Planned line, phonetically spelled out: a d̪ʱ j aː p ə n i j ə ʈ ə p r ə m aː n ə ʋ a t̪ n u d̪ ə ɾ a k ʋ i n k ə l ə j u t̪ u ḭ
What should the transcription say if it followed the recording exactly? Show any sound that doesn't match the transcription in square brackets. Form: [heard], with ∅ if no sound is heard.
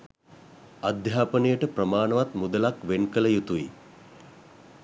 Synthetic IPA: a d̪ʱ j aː p ə n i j ə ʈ ə p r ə m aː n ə ʋ a t̪ [m] u d̪ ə [l] a k ʋ [e] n k ə l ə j u t̪ u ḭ